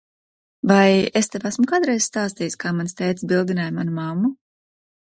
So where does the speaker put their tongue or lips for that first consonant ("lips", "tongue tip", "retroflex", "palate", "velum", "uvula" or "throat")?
lips